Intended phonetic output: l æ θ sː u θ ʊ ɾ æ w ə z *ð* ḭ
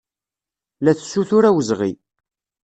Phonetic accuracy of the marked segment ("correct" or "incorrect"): incorrect